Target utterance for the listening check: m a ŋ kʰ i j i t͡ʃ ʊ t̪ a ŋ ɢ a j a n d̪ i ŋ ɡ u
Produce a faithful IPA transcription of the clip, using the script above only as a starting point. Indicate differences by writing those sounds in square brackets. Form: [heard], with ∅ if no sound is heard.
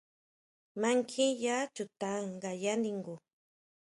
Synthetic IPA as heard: m a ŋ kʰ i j [a] t͡ʃ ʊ t̪ a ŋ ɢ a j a n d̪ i ŋ ɡ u